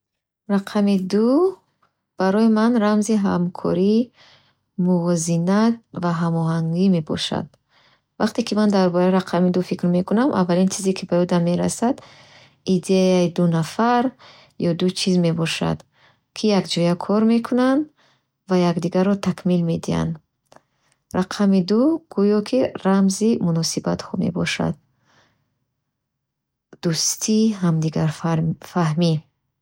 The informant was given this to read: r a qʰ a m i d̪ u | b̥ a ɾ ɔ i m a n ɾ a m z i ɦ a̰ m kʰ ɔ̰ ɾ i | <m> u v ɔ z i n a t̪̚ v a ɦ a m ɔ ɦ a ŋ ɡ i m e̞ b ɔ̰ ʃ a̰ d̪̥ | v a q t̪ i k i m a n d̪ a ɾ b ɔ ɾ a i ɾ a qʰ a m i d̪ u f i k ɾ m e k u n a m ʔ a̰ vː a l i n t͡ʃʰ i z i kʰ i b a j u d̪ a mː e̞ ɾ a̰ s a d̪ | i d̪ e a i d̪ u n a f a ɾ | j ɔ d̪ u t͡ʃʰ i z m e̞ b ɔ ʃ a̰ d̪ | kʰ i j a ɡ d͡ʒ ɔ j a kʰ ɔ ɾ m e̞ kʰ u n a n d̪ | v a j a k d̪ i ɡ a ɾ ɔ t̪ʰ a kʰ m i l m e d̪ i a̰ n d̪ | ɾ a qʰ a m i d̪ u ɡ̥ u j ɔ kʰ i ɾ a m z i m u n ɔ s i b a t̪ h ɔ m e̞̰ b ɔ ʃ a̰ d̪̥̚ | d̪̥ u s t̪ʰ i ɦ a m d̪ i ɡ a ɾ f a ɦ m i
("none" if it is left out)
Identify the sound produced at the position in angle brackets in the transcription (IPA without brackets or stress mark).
m